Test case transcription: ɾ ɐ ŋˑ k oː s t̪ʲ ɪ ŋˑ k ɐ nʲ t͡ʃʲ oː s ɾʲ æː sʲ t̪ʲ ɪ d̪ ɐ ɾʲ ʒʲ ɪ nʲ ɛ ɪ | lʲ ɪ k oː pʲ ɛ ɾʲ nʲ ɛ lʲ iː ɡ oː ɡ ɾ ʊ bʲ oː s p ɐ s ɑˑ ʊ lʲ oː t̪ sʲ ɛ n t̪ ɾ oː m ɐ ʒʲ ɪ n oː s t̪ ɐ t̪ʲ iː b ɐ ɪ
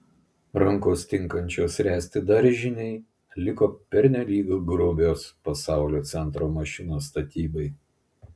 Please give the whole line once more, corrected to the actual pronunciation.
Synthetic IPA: ɾ ɐ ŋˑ k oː s t̪ʲ ɪ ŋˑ k ɐ nʲ t͡ʃʲ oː s ɾʲ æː sʲ t̪ʲ ɪ d̪ ɐ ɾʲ ʒʲ ɪ nʲ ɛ ɪ | lʲ ɪ k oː pʲ ɛ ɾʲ nʲ ɛ lʲ iː ɡ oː ɡ ɾ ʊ bʲ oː s p ɐ s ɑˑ ʊ lʲ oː t̪ sʲ ɛ n t̪ ɾ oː m ɐ ʃʲ ɪ n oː s t̪ ɐ t̪ʲ iː b ɐ ɪ